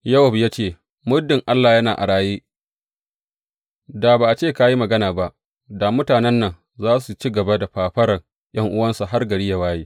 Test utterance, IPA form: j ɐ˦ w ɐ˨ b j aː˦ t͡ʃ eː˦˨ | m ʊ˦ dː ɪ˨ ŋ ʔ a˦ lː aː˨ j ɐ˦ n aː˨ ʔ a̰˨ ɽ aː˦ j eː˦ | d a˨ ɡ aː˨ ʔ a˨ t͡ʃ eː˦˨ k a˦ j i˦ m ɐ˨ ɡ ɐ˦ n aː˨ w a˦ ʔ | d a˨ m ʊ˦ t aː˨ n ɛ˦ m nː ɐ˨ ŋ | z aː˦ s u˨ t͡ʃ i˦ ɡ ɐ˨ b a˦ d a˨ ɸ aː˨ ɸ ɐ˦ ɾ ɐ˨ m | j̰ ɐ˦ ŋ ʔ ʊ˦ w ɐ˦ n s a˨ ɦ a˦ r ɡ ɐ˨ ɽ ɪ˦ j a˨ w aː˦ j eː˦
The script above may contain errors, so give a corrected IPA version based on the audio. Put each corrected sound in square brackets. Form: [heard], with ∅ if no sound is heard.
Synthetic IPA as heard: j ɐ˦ w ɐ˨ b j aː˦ t͡ʃ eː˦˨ | m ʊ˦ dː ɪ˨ ŋ ʔ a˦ lː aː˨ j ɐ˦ n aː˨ ʔ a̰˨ ɽ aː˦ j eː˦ | d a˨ [b] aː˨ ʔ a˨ t͡ʃ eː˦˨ k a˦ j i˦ m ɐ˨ ɡ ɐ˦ n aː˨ [b] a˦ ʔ | d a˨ m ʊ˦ t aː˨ n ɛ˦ [∅] nː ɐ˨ ŋ | z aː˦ s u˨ t͡ʃ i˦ ɡ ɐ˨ b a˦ d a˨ ɸ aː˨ ɸ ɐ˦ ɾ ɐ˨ [ŋ] | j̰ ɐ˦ ŋ ʔ ʊ˦ w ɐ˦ n s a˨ ɦ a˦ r ɡ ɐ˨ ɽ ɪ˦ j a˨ w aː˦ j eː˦